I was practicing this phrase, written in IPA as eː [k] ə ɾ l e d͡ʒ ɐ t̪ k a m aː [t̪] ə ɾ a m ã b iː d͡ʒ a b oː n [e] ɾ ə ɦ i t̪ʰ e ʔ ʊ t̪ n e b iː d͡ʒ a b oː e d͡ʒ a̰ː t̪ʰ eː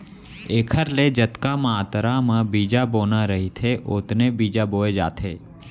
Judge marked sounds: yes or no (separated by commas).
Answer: no, yes, no